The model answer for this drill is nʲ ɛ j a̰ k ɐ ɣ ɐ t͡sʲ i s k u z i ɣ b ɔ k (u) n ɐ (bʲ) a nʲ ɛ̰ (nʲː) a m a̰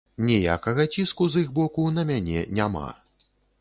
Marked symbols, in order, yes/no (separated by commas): yes, no, no